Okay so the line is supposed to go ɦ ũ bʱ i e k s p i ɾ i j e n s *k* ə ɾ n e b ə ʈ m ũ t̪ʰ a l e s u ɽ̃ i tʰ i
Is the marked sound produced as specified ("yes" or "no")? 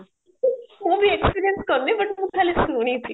yes